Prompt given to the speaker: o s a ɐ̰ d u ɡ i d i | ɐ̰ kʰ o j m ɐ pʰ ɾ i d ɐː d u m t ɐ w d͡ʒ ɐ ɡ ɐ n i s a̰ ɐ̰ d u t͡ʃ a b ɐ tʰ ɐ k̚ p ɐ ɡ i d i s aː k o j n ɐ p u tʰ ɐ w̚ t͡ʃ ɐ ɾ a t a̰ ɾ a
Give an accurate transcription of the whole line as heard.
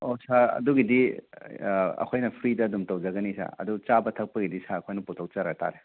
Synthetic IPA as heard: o s a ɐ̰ d u ɡ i d i | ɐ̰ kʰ o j n ɐ pʰ ɾ i d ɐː d u m t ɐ w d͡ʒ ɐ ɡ ɐ n i s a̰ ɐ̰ d u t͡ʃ a b ɐ tʰ ɐ k̚ p ɐ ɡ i d i s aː kʰ o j n ɐ p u tʰ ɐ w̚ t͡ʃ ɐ ɾ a t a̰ ɾ e